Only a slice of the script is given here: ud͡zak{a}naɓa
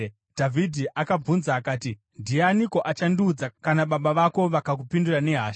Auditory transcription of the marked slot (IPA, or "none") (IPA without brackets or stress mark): a